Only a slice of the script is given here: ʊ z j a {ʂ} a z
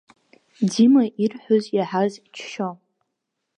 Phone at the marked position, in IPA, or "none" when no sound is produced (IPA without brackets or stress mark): ħ